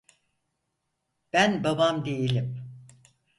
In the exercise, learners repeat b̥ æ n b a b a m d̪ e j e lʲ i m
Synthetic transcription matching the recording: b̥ æ n b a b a m d̪ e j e lʲ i m